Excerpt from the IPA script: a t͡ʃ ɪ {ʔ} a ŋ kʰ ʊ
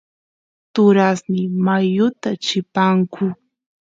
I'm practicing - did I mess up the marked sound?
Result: yes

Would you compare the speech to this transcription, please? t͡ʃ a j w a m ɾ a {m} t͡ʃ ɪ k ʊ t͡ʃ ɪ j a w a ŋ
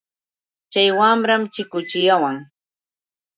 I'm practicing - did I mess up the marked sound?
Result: no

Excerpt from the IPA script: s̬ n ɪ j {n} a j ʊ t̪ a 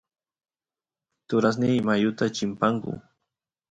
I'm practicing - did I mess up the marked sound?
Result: yes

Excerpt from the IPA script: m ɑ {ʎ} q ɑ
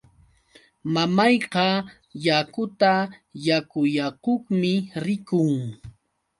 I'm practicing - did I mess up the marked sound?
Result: yes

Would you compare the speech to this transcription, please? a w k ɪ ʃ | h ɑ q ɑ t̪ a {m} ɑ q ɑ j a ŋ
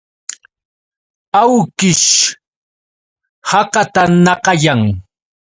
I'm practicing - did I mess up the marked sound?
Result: yes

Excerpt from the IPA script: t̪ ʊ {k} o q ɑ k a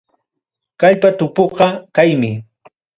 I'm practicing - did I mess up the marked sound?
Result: yes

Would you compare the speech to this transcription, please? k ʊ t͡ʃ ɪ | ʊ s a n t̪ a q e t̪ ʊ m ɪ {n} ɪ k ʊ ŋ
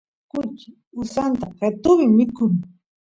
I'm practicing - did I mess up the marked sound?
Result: yes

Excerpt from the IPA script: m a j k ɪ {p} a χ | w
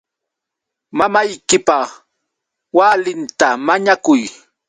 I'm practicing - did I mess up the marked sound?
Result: no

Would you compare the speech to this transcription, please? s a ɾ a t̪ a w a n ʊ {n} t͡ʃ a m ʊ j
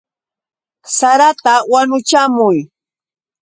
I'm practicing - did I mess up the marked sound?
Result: yes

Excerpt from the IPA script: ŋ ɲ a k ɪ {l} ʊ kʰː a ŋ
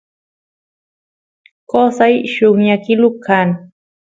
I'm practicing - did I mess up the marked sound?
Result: no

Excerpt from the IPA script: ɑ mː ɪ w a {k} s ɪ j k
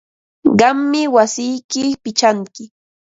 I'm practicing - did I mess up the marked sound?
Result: yes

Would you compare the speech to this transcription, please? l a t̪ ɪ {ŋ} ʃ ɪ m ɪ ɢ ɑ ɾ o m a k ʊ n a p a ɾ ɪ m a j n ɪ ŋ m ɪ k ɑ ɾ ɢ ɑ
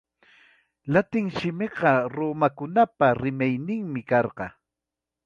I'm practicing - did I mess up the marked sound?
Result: no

